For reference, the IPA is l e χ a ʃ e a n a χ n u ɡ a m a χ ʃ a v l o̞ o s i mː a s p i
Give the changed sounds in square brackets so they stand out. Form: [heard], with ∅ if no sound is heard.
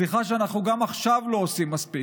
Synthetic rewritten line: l [i] χ a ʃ e a n a χ n u ɡ a m a χ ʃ a v l o̞ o s i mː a s p i